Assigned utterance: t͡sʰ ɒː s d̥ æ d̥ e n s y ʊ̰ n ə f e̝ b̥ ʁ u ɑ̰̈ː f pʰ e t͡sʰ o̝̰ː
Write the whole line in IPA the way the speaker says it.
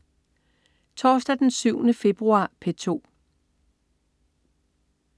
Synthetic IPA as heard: t͡sʰ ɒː s d̥ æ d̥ e n s y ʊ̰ n ə f e̝ b̥ ʁ u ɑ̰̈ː pʰ e t͡sʰ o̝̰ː